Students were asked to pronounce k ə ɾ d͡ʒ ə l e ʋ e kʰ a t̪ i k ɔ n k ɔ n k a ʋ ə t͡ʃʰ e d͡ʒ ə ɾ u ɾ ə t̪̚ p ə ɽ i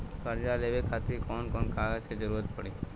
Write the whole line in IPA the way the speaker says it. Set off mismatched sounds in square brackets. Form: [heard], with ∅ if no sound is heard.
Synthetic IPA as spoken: k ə ɾ d͡ʒ [a] l e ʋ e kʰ a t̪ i k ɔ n k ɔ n k a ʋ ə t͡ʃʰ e d͡ʒ ə ɾ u ɾ ə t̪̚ p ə ɽ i

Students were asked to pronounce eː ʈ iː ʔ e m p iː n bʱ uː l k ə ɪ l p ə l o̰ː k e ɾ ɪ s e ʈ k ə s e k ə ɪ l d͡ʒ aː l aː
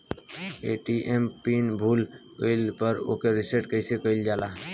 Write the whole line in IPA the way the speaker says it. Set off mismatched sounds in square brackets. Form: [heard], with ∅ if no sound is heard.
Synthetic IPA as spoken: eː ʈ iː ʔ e m p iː n bʱ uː l k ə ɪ l p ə [ɾ] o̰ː k e ɾ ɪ s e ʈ k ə s e k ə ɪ l d͡ʒ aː l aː

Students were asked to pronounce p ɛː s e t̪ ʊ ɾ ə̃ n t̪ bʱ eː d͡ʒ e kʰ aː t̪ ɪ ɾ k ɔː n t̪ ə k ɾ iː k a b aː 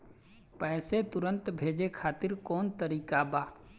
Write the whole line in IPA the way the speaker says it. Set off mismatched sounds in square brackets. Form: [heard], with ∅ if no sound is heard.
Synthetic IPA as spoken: p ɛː s e t̪ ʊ ɾ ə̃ n t̪ bʱ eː d͡ʒ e kʰ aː t̪ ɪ ɾ k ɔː n t̪ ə [∅] ɾ iː k a b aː

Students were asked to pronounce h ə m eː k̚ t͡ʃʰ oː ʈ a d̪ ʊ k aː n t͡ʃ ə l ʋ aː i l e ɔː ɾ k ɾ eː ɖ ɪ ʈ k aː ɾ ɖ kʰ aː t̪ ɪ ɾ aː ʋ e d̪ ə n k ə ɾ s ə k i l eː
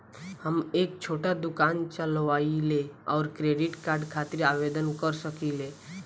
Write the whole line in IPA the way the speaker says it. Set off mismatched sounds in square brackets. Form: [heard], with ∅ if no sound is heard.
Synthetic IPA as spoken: h ə m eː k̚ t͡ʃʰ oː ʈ a d̪ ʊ k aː n t͡ʃ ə l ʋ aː i l e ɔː ɾ k ɾ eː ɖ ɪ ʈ k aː ɾ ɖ kʰ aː t̪ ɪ ɾ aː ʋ e d̪ ə n k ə ɾ s ə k i l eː

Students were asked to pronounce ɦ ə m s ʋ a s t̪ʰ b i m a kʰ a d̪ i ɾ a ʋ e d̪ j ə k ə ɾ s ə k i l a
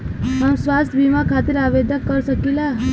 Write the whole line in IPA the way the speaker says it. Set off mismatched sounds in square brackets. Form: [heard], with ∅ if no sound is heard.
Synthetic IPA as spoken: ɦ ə m s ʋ a s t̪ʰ b i m a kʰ a [t̪] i ɾ a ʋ e d̪ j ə k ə ɾ s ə k i l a

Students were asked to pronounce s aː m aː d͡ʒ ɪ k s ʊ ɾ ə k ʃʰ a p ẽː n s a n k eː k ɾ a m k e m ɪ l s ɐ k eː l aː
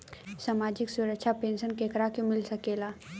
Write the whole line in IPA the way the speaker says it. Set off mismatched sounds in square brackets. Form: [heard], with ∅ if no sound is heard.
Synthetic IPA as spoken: s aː m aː d͡ʒ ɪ k s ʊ ɾ ə k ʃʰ a p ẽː n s [ə] n k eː k ɾ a [∅] k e m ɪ l s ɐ k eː l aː

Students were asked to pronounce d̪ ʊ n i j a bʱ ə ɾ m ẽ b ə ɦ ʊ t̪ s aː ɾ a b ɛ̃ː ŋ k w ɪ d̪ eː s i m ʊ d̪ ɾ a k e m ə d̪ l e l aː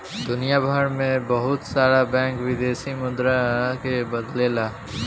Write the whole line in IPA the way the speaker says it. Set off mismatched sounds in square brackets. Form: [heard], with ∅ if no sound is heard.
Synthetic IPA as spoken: d̪ ʊ n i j a bʱ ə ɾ m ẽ b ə ɦ ʊ t̪ s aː ɾ a b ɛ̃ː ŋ k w ɪ d̪ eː s i m ʊ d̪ ɾ a k e [b] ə d̪ l e l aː

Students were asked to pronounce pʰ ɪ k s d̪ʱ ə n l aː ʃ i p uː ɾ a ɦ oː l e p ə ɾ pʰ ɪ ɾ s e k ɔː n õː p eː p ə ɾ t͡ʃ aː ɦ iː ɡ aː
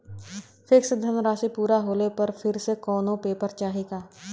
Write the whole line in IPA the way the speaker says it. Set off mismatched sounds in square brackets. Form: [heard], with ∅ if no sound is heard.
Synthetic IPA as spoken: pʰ ɪ k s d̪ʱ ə n [ɾ] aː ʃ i p uː ɾ a ɦ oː l e p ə ɾ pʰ ɪ ɾ s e k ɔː n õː p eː p ə ɾ t͡ʃ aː ɦ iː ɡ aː

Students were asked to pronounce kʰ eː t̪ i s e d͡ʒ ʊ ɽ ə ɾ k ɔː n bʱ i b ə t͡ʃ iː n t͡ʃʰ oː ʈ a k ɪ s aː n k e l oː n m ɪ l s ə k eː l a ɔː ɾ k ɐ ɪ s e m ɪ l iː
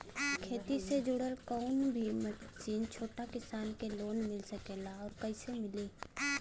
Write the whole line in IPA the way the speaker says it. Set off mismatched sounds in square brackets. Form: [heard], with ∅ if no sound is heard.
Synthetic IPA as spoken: kʰ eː t̪ i s e d͡ʒ ʊ ɽ ə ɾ k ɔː n bʱ i [m] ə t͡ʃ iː n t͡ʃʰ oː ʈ a k ɪ s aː n k e l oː n m ɪ l s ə k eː l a ɔː ɾ k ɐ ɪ s e m ɪ l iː

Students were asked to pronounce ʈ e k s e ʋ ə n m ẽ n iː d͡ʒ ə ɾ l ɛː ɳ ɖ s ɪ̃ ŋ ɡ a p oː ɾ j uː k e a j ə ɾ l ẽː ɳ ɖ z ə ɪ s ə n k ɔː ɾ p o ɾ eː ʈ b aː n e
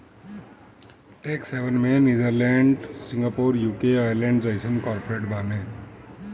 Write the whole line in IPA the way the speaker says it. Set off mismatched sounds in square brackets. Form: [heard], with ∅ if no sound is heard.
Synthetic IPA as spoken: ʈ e k s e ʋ ə n m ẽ n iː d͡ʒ ə ɾ l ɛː ɳ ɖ s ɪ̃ ŋ ɡ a p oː ɾ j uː k e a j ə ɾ l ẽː ɳ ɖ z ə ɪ s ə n k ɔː ɾ p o ɾ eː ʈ b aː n e

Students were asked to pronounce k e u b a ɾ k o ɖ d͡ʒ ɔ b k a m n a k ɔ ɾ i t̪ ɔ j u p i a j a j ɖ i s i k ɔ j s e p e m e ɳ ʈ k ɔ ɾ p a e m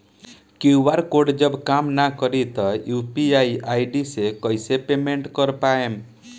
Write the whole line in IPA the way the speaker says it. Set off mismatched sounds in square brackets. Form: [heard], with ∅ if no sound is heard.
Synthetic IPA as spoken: k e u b a ɾ k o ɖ d͡ʒ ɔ b k a m n a k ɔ ɾ i t̪ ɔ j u p i a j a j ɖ i s [e] k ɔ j s e p e m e ɳ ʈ k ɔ ɾ p a e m

